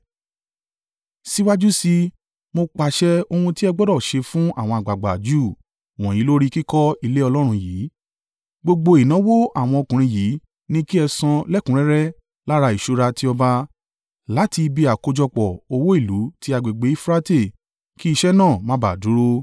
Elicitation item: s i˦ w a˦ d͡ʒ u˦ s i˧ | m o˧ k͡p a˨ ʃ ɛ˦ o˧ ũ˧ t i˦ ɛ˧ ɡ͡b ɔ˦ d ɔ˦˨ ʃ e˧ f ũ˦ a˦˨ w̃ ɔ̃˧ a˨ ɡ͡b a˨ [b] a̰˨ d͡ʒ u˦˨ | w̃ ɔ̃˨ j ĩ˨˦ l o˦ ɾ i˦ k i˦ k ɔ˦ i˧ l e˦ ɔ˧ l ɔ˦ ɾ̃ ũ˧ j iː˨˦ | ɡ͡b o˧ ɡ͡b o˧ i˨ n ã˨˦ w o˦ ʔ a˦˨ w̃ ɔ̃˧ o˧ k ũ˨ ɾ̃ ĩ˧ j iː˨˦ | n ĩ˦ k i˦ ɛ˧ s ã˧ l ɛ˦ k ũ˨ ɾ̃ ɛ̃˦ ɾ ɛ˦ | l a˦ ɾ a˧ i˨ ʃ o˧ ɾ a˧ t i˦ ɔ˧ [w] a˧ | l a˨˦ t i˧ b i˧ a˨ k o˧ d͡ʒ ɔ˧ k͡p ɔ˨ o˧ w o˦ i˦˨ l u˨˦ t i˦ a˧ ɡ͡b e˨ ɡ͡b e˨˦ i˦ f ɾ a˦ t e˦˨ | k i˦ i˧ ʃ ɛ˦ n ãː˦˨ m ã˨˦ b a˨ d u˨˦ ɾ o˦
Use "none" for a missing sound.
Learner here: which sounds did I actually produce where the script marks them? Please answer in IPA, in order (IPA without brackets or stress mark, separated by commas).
ɡ͡b, b